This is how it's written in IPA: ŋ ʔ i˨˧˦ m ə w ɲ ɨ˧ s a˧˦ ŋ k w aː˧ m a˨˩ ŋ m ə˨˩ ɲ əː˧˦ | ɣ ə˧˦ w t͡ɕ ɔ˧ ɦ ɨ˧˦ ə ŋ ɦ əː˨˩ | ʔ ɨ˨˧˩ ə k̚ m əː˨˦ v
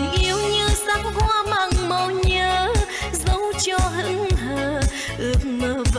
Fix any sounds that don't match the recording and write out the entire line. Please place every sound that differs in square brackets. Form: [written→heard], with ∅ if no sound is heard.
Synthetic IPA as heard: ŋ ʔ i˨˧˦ [m→∅] ə w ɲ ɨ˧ s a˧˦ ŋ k w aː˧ m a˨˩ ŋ m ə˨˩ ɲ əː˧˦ | [ɣ→z] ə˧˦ w t͡ɕ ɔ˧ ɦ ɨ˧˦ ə ŋ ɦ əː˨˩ | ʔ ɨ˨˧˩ ə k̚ m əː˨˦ v